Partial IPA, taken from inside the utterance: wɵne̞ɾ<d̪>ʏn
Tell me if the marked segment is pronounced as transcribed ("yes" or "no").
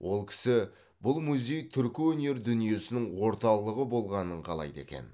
yes